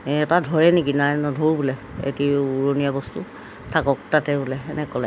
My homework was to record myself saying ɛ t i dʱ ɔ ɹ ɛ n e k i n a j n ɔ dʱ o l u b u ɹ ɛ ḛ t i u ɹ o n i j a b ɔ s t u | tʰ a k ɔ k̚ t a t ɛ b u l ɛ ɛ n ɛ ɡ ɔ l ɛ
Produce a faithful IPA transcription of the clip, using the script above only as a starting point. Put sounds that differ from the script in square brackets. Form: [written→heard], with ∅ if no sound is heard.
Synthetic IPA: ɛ t [i→a] dʱ ɔ ɹ ɛ n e k i n a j n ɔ dʱ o [l→ɹ] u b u [ɹ→l] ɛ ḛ t i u ɹ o n i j a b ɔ s t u | tʰ a k ɔ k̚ t a t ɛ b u l ɛ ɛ n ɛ [ɡ→k] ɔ l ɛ